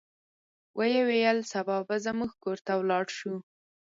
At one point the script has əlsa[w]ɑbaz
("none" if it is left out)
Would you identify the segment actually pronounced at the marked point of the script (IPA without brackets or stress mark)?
b